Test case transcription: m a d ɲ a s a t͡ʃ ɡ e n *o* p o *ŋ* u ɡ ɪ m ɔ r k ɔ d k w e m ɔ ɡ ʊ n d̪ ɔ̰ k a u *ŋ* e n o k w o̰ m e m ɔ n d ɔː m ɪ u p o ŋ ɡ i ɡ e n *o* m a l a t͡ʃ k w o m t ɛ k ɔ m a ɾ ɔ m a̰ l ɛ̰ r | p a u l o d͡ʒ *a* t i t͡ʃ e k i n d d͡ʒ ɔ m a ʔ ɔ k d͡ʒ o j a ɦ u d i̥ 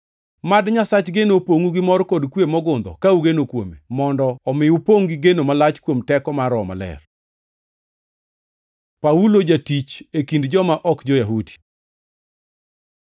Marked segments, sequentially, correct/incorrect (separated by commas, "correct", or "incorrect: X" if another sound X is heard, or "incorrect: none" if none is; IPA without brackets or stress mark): correct, correct, incorrect: ɡ, correct, correct